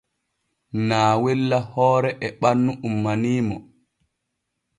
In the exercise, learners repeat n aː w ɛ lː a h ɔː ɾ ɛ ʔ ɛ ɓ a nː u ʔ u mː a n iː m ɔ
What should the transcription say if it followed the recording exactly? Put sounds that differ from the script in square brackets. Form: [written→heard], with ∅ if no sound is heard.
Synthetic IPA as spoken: n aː w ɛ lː a h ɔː ɾ ɛ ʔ ɛ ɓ a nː u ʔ u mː a n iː m ɔ

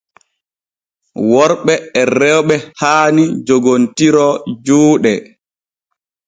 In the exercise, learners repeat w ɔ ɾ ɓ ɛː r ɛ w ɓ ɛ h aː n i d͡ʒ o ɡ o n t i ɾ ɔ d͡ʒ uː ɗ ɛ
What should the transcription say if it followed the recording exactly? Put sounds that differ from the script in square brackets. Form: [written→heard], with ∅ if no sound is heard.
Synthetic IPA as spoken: w ɔ ɾ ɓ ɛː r ɛ w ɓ ɛ h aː n i d͡ʒ o ɡ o n t i ɾ ɔ d͡ʒ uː ɗ ɛ

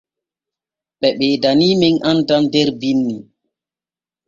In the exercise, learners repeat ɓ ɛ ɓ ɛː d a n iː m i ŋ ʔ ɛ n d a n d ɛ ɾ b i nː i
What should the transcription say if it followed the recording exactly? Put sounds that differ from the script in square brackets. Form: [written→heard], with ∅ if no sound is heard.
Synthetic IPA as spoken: ɓ ɛ ɓ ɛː d a n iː m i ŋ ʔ [ɛ→a] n d a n d ɛ ɾ b i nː i

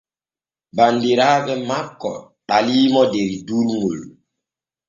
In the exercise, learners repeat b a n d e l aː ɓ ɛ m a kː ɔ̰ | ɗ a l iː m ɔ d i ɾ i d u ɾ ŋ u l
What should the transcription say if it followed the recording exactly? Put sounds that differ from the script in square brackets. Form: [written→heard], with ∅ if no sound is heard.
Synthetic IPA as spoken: b a n d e [l→ɾ] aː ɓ ɛ m a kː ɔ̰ | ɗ a l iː m ɔ d [i→e] ɾ i d u ɾ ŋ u l

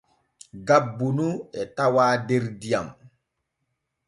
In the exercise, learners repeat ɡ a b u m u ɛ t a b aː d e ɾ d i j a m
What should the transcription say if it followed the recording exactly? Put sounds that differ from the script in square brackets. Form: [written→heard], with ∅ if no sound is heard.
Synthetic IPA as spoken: ɡ a [b→bː] u [m→n] u ɛ t a [b→w] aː d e ɾ d i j a m

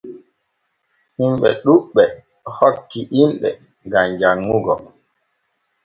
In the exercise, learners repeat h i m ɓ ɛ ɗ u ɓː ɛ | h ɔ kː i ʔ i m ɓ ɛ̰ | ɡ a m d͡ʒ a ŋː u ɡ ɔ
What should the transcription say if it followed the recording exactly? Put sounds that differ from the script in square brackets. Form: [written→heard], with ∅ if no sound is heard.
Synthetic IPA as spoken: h i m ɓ ɛ ɗ u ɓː ɛ | h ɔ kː i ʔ i m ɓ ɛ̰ | ɡ a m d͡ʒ a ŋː u ɡ ɔ

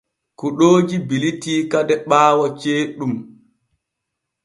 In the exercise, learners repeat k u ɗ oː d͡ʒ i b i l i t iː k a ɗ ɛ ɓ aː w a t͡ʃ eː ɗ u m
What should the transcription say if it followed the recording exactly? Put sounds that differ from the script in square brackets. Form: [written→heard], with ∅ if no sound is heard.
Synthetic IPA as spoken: k u ɗ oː d͡ʒ i b i l i t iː k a [ɗ→d] ɛ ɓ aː w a t͡ʃ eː ɗ u m

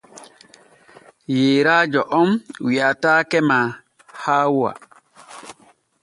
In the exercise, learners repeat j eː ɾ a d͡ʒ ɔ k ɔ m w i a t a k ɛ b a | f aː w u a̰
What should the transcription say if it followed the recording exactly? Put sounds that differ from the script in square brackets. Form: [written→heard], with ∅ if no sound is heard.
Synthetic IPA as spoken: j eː ɾ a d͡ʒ ɔ [k→ʔ] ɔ m w i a t a k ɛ [b→m] a | [f→h] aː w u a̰

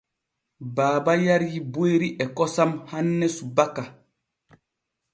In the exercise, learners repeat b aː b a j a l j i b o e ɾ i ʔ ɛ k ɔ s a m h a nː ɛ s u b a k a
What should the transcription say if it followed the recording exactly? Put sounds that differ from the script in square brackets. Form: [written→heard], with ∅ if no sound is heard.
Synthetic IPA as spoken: b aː b a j a [l→ɾ] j i b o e ɾ i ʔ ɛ k ɔ s a m h a nː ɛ s u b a k a

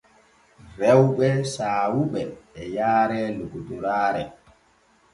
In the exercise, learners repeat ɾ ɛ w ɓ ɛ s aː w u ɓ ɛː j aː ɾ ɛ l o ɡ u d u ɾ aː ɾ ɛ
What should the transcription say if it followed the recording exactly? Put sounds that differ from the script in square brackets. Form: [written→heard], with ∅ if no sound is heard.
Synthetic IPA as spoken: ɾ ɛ w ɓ ɛ s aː w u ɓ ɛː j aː ɾ ɛ l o ɡ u d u ɾ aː ɾ ɛ

